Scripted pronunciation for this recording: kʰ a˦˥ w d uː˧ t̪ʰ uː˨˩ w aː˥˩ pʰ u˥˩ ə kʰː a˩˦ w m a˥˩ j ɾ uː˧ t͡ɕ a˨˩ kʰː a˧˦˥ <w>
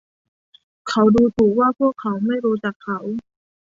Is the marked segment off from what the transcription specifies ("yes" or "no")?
no